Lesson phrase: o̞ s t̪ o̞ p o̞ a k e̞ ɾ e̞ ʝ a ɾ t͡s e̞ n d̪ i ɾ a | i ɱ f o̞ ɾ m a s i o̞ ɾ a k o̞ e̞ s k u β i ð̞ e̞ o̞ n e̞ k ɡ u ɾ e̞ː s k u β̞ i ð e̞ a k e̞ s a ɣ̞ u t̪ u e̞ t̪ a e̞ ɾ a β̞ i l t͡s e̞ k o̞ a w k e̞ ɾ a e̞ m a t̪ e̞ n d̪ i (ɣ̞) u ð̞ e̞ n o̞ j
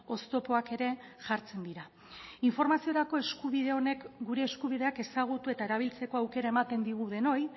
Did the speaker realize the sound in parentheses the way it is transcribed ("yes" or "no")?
yes